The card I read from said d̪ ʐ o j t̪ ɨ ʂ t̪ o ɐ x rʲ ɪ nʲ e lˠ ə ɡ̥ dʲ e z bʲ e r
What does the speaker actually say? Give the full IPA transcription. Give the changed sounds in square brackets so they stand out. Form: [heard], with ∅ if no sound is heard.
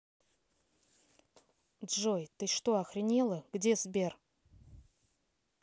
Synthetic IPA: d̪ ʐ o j t̪ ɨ ʂ t̪ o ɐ x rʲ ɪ nʲ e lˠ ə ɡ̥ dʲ e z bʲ e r